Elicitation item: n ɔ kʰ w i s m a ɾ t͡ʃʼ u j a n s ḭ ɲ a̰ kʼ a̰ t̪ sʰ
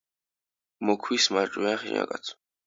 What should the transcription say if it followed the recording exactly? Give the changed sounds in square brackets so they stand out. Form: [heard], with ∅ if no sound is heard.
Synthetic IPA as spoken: [m] ɔ kʰ w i s m a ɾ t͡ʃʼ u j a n [χ] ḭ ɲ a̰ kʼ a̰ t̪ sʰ